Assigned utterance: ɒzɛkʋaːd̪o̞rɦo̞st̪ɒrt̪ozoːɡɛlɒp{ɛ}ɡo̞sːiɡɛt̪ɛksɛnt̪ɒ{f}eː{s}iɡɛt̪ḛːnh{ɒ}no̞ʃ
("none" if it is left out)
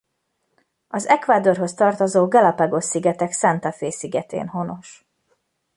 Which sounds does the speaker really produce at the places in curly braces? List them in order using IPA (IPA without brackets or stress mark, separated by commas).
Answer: ɛ, f, s, o